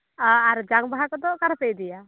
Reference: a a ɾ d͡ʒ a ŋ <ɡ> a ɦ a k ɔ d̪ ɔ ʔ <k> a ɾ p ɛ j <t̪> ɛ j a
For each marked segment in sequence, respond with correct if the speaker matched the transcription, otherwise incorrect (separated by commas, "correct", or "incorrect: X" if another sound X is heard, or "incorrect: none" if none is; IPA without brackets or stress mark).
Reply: incorrect: b, correct, incorrect: d̪